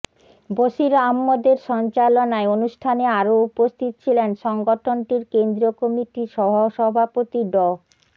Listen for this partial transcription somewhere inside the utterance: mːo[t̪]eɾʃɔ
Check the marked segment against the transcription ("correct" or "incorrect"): incorrect